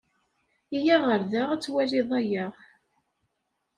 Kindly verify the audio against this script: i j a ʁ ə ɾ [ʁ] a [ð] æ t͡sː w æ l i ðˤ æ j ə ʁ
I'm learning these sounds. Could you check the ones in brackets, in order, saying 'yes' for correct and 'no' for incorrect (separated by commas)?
no, no